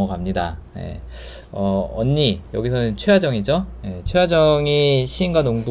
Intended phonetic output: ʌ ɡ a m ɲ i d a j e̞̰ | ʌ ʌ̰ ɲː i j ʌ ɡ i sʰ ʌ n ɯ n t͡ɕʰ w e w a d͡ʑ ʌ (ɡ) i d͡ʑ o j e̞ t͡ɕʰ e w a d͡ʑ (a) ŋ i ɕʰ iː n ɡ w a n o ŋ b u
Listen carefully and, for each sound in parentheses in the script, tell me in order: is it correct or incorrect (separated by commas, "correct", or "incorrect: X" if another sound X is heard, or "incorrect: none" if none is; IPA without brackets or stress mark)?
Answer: incorrect: ŋ, incorrect: ʌ